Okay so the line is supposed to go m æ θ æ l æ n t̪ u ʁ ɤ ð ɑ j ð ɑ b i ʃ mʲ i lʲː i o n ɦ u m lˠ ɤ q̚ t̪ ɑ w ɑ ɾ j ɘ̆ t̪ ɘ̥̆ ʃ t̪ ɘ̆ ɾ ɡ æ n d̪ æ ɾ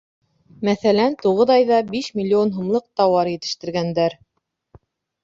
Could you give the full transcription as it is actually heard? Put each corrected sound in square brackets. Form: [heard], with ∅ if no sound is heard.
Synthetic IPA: m æ θ æ l æ n t̪ u ʁ ɤ ð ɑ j ð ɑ b i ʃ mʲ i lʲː i o n ɦ u m lˠ ɤ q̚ t̪ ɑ w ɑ ɾ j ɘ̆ t̪ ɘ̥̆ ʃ t̪ ɘ̆ ɾ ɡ æ n d̪ æ ɾ